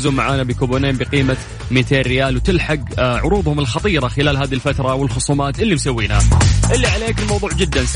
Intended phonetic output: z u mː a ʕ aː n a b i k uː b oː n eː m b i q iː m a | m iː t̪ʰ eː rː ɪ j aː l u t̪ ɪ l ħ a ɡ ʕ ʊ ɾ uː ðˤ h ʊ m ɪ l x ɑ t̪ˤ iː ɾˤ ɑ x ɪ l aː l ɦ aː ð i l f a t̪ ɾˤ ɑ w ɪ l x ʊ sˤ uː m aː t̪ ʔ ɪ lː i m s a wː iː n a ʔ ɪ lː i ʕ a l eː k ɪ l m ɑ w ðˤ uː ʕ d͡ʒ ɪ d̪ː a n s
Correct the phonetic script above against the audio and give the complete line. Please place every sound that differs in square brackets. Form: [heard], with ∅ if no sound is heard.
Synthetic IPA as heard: z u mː a ʕ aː n a b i k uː b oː n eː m b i q iː m a | m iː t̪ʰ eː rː ɪ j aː l [w] t̪ ɪ l ħ a ɡ ʕ ʊ ɾ uː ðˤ h ʊ m ɪ l x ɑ t̪ˤ iː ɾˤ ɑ x ɪ l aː l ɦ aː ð i l f a t̪ ɾˤ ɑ w ɪ l x ʊ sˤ uː m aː t̪ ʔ ɪ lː i m s a wː iː n a ʔ ɪ lː i ʕ a l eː k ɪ l m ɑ w ðˤ uː ʕ d͡ʒ ɪ d̪ː a n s